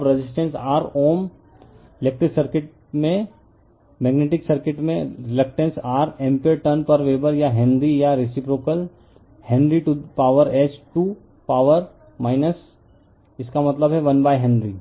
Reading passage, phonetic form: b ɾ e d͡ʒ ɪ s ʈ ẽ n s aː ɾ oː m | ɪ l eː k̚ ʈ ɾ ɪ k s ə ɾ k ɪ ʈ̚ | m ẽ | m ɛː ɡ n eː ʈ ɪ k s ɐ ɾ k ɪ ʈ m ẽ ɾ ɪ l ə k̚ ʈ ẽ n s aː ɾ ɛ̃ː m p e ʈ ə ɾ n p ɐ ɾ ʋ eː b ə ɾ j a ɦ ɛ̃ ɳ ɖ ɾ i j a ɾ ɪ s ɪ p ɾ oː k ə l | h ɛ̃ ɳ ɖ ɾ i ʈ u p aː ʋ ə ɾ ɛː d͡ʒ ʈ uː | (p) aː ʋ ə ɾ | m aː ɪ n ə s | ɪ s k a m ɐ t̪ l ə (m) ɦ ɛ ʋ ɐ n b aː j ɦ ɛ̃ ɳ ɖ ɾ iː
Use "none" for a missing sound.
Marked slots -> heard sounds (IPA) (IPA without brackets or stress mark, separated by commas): p, b